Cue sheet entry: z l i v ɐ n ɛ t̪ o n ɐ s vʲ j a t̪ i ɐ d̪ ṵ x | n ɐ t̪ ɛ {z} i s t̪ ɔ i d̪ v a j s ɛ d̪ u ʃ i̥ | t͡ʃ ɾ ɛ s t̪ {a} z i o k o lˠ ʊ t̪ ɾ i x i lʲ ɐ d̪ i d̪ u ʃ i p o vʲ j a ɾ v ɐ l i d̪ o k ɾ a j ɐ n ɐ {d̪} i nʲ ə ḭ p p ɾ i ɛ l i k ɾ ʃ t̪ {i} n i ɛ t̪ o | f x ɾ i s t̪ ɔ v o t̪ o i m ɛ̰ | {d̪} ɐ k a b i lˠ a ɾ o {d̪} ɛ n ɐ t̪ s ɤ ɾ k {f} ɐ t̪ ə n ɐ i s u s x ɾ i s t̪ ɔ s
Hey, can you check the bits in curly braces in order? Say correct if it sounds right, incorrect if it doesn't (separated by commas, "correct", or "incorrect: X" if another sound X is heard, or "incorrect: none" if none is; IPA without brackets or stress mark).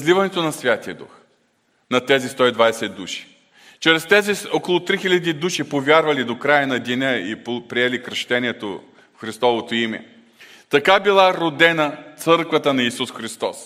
correct, incorrect: ɛ, correct, incorrect: ɛ, incorrect: t̪, correct, incorrect: v